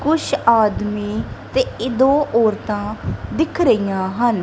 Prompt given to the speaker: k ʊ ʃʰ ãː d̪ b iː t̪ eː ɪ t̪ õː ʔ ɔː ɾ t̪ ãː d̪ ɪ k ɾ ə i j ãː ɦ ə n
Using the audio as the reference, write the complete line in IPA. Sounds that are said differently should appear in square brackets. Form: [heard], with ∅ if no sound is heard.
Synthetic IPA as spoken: k ʊ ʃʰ [aː] d̪ [m] iː t̪ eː ɪ [d̪] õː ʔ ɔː ɾ t̪ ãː d̪ ɪ [kʰ] ɾ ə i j ãː ɦ ə n